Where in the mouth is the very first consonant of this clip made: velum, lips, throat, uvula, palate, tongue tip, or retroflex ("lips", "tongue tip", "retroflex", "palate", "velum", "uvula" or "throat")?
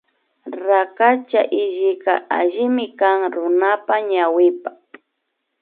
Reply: tongue tip